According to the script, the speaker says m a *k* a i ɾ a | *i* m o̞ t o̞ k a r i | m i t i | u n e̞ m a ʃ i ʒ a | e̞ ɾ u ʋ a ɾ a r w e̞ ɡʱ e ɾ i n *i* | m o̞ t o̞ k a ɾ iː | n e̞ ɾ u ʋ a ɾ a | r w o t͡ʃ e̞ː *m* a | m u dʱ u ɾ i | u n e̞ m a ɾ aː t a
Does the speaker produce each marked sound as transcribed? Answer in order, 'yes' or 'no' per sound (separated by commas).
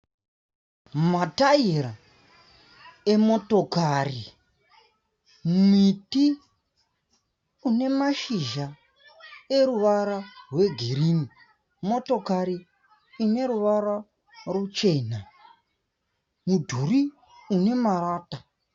no, no, yes, no